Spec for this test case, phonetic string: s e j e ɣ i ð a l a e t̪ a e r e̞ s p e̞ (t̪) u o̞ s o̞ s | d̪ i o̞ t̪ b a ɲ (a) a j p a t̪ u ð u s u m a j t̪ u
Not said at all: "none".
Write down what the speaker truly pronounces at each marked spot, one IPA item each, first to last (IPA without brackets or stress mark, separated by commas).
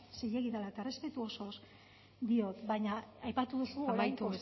t̪, a